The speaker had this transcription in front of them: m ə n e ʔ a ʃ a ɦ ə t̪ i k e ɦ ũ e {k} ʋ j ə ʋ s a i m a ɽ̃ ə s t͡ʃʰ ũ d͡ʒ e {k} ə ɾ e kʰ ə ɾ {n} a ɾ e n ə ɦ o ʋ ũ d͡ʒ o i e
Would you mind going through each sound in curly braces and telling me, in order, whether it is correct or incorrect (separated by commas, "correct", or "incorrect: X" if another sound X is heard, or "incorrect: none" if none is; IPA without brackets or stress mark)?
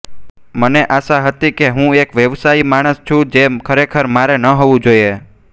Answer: correct, incorrect: kʰ, incorrect: m